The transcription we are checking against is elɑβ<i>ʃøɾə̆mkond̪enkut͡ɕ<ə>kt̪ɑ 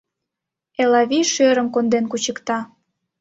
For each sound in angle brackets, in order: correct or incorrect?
correct, correct

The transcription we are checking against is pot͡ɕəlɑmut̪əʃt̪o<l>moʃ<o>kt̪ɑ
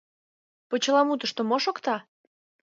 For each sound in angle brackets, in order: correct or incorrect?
incorrect: none, correct

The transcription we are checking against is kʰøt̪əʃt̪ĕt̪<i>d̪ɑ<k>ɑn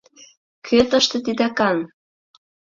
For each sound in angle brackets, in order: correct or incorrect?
correct, correct

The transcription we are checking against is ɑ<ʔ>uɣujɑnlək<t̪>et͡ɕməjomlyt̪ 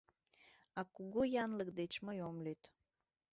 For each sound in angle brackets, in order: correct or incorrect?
incorrect: k, incorrect: d̪

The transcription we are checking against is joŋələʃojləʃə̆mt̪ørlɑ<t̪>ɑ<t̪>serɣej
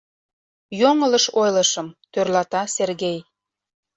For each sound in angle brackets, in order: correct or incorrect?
correct, incorrect: none

